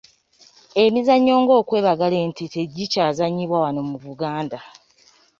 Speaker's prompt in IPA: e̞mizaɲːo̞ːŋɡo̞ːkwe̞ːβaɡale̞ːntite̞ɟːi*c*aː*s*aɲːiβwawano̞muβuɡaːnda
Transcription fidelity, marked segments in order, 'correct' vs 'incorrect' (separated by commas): correct, incorrect